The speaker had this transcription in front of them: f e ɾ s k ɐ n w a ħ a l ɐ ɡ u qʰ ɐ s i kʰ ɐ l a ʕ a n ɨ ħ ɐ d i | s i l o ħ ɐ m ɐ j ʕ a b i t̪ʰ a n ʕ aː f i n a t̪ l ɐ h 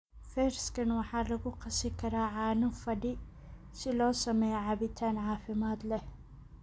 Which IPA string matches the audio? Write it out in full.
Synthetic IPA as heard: f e ɾ s k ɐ n w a ħ a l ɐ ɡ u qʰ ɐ s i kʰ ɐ ɾ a ʕ a n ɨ f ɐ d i | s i l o s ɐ m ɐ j ʕ a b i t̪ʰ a n ʕ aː f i m a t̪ l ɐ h

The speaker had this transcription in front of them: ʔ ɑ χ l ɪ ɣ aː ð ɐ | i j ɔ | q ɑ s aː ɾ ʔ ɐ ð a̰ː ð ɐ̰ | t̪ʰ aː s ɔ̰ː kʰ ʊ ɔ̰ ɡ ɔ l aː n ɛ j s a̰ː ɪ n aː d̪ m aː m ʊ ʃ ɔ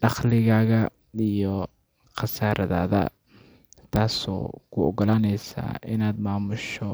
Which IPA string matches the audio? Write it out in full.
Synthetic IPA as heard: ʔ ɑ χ l ɪ ɣ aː ɣ ɐ | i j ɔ | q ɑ s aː ɾ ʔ ɐ ð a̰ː ð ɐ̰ | t̪ʰ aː s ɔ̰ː kʰ ʊ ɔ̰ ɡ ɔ l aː n ɛ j s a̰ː ɪ n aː d̪ m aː m ʊ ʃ ɔ

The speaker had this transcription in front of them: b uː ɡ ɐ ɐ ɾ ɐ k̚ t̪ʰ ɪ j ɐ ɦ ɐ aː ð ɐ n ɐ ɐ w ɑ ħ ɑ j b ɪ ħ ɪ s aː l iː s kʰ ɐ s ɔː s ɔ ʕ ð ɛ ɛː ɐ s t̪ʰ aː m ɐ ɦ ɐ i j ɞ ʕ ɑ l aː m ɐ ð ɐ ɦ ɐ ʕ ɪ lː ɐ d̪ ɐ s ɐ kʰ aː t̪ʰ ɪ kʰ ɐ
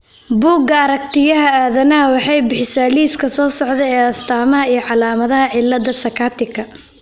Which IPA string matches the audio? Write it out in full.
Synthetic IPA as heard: b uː ɡ ɐ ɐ ɾ ɐ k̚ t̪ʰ ɪ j ɐ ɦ ɐ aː ð ɐ n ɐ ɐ w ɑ ħ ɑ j b ɪ ħ ɪ s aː l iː s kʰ ɐ s ɔː s ɔ ʕ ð ɛ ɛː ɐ s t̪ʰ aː m ɐ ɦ ɐ i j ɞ ʕ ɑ l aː m ɐ ð ɐ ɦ ɐ ʕ ɪ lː ɐ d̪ ɐ s ɐ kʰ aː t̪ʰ ɪ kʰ ɐ

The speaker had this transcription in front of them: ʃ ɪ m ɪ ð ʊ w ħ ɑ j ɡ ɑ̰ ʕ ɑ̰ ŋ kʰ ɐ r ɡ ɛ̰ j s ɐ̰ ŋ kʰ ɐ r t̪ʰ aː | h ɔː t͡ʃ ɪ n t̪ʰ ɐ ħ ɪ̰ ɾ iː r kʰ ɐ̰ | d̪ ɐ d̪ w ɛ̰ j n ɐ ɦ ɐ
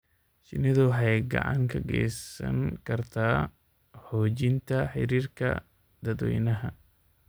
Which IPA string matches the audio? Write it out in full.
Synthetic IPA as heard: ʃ ɪ n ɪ ð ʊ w ħ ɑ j ɡ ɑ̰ ʕ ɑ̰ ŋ kʰ ɐ ɡ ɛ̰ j s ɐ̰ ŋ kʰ ɐ r t̪ʰ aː | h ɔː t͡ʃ ɪ n t̪ʰ ɐ ħ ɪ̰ ɾ iː r kʰ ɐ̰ | d̪ ɐ d̪ w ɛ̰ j n ɐ ɦ ɐ

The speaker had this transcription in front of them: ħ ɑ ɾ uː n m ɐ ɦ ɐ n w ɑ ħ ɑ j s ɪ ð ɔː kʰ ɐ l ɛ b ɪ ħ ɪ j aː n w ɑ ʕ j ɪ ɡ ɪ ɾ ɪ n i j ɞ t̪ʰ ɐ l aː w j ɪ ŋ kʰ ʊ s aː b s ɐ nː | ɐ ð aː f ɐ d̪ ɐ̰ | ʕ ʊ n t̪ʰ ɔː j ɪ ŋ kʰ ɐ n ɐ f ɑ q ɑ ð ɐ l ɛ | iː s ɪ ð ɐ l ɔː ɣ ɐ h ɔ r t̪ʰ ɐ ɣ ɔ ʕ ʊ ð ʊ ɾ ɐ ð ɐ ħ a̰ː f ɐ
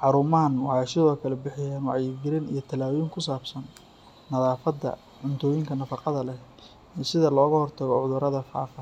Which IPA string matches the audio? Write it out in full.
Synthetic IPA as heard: ħ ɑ ɾ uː m ɐ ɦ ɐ n w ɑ ħ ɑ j s ɪ ð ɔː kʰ ɐ l ɛ b ɪ ħ ɪ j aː n w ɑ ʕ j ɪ ɡ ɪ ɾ ɪ n i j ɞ t̪ʰ ɐ l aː w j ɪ ŋ kʰ ʊ s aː b s ɐ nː | ɐ ð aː f ɐ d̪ ɐ̰ | ʕ ʊ n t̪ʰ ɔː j ɪ ŋ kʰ ɐ n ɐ f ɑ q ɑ ð ɐ l ɛ | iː s ɪ ð ɐ l ɔː ɣ ɐ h ɔ r t̪ʰ ɐ ɣ ɔ ʕ ʊ ð ʊ ɾ ɐ ð ɐ f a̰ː f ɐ

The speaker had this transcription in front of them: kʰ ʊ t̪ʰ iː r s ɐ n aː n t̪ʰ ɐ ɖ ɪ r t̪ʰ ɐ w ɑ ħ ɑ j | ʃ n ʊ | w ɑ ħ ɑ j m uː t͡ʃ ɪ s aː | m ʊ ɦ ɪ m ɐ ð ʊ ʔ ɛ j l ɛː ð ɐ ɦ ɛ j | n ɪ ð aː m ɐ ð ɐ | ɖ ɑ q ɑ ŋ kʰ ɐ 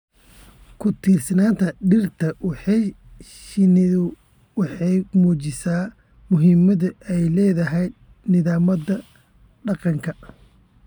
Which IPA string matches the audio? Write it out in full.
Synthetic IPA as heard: kʰ ʊ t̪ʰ iː r s ɐ n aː n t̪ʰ ɐ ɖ ɪ r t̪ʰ ɐ w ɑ ħ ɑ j | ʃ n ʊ | w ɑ ħ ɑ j m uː t͡ʃ ɪ s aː | m ʊ ɦ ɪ m ɐ ð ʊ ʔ ɛ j l ɛː ð ɐ ɦ ɛ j | n ɪ ð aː m ɐ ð ɐ | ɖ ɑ q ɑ ŋ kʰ ɐ

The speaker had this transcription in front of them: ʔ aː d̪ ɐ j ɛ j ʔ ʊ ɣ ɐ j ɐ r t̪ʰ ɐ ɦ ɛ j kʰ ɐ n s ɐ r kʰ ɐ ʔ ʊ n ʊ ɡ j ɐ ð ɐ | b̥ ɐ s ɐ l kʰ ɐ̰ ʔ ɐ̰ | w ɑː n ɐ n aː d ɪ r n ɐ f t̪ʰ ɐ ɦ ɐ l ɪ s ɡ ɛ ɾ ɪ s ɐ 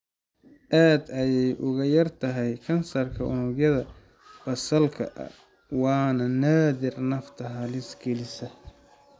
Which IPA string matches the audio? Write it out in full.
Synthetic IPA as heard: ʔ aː d̪ ɐ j ɛ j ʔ ʊ ɣ ɐ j ɐ r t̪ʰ ɐ ɦ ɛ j kʰ ɐ n s ɐ r kʰ ɐ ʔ ʊ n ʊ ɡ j ɐ ð ɐ | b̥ ɐ s ɐ l kʰ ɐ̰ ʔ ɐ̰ | w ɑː n ɐ n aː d ɪ r n ɐ f t̪ʰ ɐ ɦ ɐ l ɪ s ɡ ɛ l ɪ s ɐ

